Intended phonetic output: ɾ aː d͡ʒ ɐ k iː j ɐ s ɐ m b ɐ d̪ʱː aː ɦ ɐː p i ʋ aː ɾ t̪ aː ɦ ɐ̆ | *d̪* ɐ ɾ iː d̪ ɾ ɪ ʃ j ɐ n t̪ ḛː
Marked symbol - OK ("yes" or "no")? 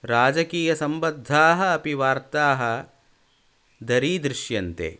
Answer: yes